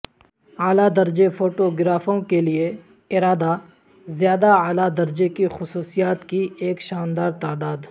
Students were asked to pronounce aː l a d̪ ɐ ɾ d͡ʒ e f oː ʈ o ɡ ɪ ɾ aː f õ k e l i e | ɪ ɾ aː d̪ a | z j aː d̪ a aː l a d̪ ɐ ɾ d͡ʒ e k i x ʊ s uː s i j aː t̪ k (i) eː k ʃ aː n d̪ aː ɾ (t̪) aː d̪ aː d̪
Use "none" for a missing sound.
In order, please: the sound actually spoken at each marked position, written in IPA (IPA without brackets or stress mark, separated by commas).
i, t̪